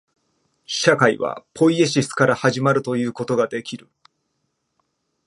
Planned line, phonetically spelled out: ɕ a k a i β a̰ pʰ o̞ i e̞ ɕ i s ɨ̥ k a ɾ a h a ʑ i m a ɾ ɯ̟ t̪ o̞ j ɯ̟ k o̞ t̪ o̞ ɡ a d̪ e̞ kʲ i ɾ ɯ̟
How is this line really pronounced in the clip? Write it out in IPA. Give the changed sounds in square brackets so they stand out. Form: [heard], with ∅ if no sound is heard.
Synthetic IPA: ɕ a k a i β a̰ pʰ o̞ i e̞ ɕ i s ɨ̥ k a ɾ a h a ʑ i m a ɾ ɯ̟ t̪ o̞ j [ɯ̟ː] k o̞ t̪ o̞ ɡ a d̪ e̞ kʲ i ɾ ɯ̟